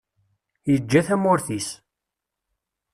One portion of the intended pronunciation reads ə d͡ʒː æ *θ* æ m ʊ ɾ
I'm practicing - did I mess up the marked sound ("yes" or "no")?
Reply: no